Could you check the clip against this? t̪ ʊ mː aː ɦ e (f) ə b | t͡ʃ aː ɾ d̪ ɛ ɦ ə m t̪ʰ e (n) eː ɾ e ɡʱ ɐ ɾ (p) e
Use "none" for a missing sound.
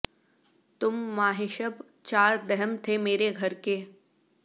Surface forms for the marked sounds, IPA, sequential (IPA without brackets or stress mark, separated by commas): ʃ, m, k